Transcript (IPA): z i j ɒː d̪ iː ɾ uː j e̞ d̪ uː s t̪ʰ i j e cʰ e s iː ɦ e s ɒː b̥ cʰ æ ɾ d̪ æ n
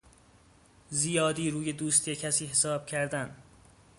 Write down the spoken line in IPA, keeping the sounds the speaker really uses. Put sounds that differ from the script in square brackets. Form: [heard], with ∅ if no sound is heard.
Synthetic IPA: z i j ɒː d̪ iː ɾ uː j e̞ d̪ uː s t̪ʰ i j e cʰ [æ] s iː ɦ e s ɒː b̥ cʰ æ ɾ d̪ æ n